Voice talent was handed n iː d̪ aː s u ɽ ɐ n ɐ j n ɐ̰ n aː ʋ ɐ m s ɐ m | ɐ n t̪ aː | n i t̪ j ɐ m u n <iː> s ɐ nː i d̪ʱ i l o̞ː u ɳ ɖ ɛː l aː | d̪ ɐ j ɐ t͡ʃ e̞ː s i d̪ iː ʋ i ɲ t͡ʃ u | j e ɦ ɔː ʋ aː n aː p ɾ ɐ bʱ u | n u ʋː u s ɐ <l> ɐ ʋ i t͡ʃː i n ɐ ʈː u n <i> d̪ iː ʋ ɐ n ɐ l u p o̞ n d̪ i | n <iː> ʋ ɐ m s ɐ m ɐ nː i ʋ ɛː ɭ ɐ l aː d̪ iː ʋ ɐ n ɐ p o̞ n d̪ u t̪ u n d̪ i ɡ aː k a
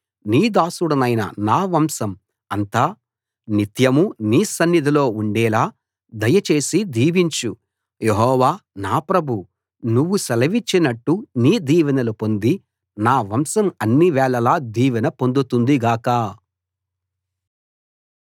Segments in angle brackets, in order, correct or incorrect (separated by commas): correct, correct, incorrect, incorrect